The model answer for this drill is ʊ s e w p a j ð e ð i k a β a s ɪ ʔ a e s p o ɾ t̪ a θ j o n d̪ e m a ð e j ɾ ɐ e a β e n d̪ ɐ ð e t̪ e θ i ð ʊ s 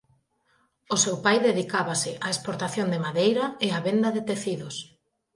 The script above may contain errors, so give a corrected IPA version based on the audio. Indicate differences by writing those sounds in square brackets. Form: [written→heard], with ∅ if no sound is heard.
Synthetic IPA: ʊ s e w p a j ð e ð i k a β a s ɪ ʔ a e s p o ɾ t̪ a θ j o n d̪ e m a ð e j ɾ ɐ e a β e n d̪ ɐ ð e t̪ e θ i ð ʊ s